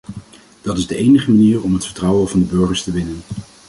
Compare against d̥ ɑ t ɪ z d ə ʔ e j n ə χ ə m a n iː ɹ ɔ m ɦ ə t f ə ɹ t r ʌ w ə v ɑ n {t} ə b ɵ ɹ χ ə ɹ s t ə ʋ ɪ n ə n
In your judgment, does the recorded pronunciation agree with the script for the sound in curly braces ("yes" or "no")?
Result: no